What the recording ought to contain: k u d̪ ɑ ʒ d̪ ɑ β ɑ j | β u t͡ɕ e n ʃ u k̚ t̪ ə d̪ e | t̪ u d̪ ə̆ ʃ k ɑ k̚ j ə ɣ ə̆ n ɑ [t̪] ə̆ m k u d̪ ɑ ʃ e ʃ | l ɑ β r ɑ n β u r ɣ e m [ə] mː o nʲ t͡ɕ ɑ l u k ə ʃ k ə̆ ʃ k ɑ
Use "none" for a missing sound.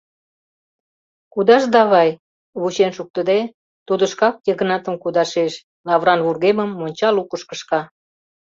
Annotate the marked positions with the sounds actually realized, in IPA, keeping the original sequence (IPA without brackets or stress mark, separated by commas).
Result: t̪, ə